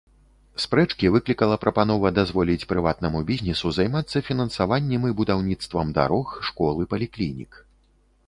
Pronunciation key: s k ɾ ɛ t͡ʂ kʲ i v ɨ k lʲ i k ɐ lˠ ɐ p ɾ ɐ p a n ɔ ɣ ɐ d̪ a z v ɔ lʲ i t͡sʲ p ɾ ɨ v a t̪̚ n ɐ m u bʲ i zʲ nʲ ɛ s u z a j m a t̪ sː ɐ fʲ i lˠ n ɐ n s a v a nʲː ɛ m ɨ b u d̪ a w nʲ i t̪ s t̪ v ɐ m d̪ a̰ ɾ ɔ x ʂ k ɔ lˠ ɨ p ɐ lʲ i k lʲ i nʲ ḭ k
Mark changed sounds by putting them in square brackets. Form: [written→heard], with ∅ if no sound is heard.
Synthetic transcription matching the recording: s [k→p] ɾ ɛ t͡ʂ kʲ i v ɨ k lʲ i k ɐ lˠ ɐ p ɾ ɐ p a n ɔ [ɣ→v] ɐ d̪ a z v ɔ lʲ i t͡sʲ p ɾ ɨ v a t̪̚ n ɐ m u bʲ i zʲ nʲ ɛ s u z a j m a t̪ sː ɐ fʲ i [lˠ→∅] n ɐ n s a v a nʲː ɛ m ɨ b u d̪ a w nʲ i t̪ s t̪ v ɐ m d̪ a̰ ɾ ɔ x ʂ k ɔ lˠ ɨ p ɐ lʲ i k lʲ i nʲ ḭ k

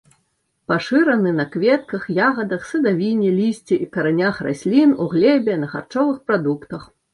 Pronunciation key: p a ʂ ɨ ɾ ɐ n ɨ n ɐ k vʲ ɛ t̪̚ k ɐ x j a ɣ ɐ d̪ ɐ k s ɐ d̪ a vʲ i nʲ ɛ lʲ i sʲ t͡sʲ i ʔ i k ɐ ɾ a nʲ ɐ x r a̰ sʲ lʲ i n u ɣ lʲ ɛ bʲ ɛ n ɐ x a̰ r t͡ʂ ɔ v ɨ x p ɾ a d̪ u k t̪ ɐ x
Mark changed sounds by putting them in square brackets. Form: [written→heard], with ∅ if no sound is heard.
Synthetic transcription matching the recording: p a ʂ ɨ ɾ ɐ n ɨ n ɐ k vʲ ɛ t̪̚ k ɐ x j a ɣ ɐ d̪ ɐ [k→x] s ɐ d̪ a vʲ i nʲ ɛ lʲ i sʲ t͡sʲ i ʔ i k ɐ ɾ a nʲ [ɐ→a] x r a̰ sʲ lʲ i n u ɣ lʲ ɛ bʲ ɛ n ɐ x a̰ r t͡ʂ ɔ v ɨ x p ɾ a d̪ u k t̪ ɐ x

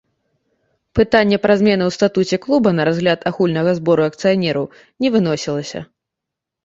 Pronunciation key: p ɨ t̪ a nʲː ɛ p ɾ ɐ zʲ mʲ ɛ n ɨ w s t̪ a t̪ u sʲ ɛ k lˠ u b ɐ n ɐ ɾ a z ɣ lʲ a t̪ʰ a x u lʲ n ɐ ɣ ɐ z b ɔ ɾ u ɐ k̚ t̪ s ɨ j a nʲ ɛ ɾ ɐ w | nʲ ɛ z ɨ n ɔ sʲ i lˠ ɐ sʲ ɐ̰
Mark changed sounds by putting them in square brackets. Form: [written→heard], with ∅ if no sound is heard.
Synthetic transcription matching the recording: p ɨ t̪ a nʲː ɛ p ɾ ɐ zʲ mʲ ɛ n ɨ w s t̪ a t̪ u [sʲ→t͡sʲ] ɛ k lˠ u b ɐ n ɐ ɾ a z ɣ lʲ a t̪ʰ a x u lʲ n ɐ ɣ ɐ z b ɔ ɾ u ɐ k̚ t̪ s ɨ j a nʲ ɛ ɾ ɐ w | nʲ ɛ [z→v] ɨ n ɔ sʲ i lˠ ɐ sʲ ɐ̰

